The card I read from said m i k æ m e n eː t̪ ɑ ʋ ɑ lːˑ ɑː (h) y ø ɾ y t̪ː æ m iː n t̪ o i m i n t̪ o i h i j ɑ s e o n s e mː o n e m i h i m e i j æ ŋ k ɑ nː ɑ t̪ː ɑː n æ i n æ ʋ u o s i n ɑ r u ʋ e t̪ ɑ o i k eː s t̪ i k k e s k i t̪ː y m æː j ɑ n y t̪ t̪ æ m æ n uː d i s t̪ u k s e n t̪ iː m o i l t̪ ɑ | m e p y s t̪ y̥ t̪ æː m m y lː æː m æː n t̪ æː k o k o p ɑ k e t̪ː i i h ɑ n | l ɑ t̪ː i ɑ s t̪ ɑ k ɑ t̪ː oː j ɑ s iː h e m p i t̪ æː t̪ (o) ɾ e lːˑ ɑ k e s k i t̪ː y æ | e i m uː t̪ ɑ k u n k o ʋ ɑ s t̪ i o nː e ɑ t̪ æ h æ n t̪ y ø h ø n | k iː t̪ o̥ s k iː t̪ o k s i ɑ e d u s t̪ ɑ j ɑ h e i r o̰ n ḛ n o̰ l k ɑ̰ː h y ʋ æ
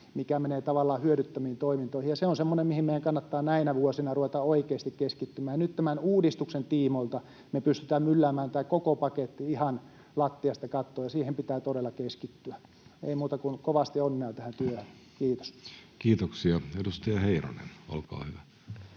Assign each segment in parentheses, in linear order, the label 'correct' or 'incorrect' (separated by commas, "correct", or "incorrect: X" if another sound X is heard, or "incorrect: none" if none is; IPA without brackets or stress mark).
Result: correct, correct